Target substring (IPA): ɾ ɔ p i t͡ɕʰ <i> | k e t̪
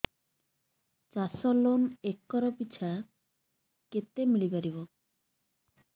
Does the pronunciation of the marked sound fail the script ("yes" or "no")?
yes